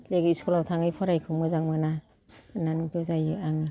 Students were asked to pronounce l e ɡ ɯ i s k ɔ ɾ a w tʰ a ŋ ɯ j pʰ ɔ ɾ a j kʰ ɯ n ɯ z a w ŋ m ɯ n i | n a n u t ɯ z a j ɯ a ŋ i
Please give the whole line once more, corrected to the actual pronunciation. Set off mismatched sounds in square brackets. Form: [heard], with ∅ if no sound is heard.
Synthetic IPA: l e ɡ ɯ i s k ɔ [l] a w tʰ a ŋ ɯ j pʰ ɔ ɾ a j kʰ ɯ [m] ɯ z a [∅] ŋ m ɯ n [a] | n a n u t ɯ z a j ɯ a ŋ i